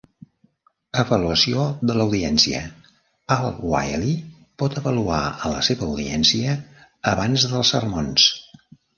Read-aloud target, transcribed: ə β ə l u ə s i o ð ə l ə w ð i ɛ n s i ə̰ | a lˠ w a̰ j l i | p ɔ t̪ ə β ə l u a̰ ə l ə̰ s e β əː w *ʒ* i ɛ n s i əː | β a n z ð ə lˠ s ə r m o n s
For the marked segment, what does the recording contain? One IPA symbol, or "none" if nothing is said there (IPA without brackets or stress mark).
ð